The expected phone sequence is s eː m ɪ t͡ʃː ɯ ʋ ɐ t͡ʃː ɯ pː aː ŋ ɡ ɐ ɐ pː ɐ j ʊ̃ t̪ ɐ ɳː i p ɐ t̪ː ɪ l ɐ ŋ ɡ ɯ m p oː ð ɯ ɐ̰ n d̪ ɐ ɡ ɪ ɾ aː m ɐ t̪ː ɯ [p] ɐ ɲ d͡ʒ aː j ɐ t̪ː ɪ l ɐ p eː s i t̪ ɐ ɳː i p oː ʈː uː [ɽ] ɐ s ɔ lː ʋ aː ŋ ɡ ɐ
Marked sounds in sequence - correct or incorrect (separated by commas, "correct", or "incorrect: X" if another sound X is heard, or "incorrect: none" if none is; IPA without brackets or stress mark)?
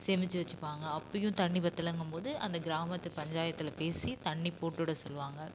correct, correct